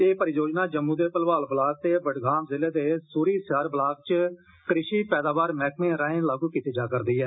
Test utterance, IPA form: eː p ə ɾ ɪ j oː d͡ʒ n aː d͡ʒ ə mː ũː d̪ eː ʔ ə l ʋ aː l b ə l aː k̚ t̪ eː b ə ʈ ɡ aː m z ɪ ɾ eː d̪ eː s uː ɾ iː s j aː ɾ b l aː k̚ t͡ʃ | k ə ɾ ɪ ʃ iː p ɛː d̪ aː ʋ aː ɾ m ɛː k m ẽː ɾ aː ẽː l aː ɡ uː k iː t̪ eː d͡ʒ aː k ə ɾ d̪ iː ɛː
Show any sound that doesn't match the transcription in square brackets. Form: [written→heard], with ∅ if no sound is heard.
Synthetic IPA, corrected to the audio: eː p ə ɾ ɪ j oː d͡ʒ n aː d͡ʒ ə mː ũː d̪ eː [ʔ→p] ə l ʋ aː l b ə l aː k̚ t̪ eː b ə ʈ ɡ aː m z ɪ [ɾ→l] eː d̪ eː s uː ɾ iː s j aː ɾ b l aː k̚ t͡ʃ | k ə ɾ ɪ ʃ iː p ɛː d̪ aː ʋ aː ɾ m ɛː k m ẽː ɾ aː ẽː l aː ɡ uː k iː t̪ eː d͡ʒ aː k ə ɾ d̪ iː ɛː